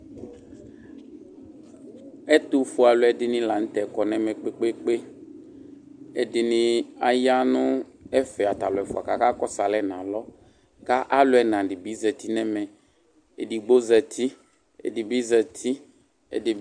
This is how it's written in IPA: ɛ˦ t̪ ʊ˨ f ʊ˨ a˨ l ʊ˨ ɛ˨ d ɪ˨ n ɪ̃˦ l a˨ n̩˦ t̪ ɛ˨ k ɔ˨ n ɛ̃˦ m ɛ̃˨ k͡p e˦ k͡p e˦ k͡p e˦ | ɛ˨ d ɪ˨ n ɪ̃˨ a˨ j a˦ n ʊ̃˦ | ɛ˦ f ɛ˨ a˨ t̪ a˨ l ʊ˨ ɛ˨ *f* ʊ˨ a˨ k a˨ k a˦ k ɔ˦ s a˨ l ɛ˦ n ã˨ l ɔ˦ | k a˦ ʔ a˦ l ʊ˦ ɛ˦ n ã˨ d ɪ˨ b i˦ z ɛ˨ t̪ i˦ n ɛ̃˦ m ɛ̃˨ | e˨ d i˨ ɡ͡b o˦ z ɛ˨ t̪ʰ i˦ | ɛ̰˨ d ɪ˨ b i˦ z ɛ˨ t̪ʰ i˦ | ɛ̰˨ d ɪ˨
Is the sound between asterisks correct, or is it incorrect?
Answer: correct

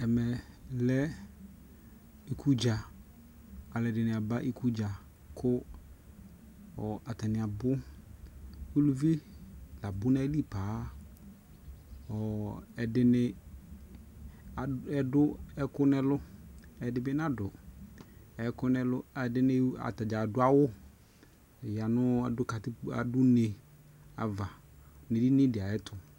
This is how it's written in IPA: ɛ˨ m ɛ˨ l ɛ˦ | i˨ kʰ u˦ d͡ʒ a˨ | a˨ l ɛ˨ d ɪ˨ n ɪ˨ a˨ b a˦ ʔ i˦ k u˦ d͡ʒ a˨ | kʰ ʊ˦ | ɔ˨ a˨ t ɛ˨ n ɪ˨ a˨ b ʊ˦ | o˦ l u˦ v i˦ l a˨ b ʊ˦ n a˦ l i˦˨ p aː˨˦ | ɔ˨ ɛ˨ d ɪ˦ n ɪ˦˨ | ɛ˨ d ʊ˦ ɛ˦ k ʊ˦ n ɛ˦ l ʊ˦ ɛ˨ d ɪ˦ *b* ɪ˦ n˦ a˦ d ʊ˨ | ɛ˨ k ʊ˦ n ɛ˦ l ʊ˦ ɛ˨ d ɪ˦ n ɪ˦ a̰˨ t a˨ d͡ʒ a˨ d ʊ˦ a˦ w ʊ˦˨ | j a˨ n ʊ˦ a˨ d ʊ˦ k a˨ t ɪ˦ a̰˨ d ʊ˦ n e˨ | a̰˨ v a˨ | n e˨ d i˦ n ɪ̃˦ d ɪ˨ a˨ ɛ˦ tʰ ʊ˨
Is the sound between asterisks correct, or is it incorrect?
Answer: correct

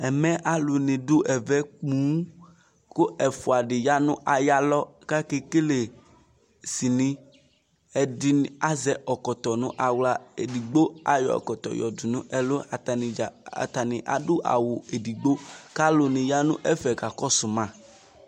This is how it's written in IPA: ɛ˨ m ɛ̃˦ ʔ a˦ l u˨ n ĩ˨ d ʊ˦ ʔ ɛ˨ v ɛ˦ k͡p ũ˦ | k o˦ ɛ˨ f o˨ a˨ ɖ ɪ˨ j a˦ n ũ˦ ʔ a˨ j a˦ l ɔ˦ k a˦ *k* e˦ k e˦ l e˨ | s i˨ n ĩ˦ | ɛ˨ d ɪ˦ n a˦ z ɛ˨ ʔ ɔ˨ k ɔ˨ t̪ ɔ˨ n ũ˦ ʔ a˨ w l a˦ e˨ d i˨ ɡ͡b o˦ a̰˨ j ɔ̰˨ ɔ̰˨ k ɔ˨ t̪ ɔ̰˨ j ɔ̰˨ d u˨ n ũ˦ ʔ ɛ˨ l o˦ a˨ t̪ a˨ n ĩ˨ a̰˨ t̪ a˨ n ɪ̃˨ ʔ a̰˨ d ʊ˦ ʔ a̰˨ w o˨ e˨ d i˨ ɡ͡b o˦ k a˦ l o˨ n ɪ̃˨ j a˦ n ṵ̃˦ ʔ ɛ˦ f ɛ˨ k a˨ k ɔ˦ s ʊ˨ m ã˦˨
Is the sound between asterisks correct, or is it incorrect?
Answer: correct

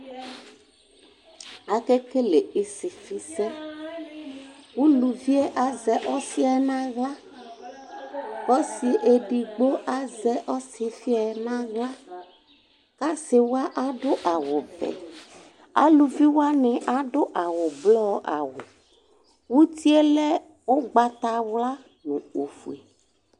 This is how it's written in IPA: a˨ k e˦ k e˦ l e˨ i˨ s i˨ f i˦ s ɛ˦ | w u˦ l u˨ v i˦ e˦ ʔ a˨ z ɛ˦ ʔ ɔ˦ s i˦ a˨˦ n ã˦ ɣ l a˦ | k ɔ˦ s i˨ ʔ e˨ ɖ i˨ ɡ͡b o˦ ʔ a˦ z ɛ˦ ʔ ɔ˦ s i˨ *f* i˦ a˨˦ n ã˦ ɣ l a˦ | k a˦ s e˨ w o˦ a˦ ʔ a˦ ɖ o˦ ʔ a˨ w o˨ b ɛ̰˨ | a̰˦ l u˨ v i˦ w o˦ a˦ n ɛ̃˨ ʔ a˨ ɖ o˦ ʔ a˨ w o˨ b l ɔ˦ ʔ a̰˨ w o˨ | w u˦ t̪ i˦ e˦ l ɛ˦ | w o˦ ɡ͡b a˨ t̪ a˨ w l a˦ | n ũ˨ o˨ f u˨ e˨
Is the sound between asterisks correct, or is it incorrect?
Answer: correct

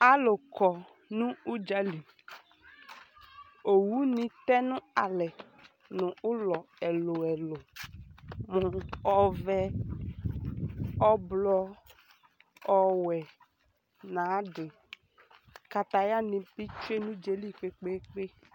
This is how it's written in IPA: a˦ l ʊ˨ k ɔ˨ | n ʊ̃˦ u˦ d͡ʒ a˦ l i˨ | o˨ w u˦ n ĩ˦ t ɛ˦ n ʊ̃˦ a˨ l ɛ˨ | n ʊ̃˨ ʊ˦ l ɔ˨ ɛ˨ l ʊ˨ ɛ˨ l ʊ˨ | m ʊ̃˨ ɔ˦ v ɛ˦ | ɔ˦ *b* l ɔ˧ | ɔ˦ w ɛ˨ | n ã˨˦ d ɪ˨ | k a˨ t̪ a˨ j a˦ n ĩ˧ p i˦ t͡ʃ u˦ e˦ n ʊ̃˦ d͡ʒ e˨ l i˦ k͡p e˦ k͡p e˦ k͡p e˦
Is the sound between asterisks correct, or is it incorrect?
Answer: correct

